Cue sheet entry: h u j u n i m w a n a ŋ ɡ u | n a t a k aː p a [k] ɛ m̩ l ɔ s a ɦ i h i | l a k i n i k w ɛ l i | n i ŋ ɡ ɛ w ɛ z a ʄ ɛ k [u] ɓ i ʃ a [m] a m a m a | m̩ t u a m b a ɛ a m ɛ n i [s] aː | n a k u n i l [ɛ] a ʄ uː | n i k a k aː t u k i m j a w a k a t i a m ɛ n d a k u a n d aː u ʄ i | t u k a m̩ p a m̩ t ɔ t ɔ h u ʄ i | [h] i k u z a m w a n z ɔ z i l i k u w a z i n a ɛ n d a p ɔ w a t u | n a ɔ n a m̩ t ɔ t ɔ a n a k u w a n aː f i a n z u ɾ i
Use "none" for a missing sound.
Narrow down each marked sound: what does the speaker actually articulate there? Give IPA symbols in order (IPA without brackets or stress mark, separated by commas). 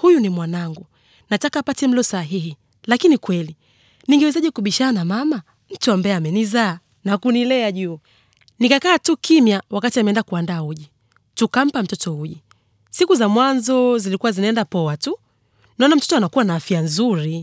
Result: t, u, n, z, ɛ, s